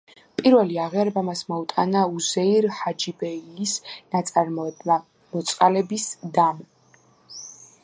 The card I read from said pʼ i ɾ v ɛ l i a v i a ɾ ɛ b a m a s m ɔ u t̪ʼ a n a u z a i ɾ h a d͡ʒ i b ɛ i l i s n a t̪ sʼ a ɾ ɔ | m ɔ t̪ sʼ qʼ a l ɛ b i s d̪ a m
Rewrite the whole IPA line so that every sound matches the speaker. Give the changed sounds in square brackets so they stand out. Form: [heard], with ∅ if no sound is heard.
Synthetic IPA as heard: pʼ i ɾ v ɛ l i a [ʁ] i a ɾ ɛ b a m a s m ɔ u t̪ʼ a n a u z [ɛ] i ɾ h a d͡ʒ i b ɛ i l i s n a t̪ sʼ a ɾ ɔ | m ɔ t̪ sʼ qʼ a l ɛ b i s d̪ a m